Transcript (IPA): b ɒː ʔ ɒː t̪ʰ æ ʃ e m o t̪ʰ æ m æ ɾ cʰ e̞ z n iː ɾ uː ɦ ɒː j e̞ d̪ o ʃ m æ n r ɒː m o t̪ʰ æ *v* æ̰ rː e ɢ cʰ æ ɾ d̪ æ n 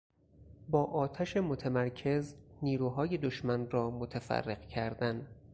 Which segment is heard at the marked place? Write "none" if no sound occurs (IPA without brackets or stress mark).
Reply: f